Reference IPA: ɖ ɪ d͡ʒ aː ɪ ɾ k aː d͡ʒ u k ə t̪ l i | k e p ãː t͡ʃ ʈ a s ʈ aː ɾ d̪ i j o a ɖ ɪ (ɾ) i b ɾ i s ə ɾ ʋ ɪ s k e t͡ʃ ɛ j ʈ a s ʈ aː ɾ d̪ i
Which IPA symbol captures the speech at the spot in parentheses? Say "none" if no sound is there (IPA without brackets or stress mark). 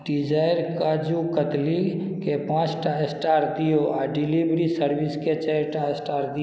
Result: l